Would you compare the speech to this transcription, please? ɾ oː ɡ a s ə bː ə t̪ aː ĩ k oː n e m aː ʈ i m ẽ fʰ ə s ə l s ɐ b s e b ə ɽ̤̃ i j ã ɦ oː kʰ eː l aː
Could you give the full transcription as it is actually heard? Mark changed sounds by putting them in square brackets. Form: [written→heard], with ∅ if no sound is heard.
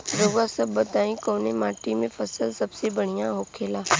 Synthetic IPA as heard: ɾ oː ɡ a s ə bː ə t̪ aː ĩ k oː n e m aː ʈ i m ẽ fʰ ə s ə l s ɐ b s e b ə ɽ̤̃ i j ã ɦ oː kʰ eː l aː

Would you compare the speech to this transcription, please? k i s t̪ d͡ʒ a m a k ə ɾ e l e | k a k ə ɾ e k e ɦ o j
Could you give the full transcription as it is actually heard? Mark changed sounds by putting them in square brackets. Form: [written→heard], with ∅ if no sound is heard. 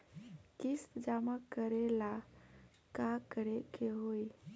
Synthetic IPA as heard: k i s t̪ d͡ʒ a m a k ə ɾ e l [e→a] | k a k ə ɾ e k e ɦ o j

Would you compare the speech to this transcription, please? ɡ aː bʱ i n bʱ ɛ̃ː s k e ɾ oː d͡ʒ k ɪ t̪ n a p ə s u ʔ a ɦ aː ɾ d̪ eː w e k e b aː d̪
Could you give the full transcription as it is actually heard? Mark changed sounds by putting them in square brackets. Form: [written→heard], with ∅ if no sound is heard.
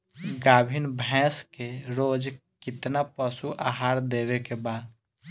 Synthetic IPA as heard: ɡ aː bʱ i n bʱ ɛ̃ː s k e ɾ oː d͡ʒ k ɪ t̪ n a p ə s u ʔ a ɦ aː ɾ d̪ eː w e k e b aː d̪

